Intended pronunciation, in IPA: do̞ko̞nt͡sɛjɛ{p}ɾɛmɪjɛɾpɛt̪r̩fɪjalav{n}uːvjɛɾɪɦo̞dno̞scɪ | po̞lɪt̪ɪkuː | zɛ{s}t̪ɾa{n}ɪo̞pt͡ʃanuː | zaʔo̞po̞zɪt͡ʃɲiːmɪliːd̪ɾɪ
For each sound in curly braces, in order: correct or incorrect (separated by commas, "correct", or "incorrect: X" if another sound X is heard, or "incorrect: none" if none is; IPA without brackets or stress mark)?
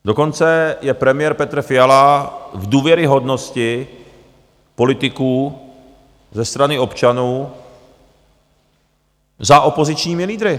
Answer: correct, incorrect: d, correct, correct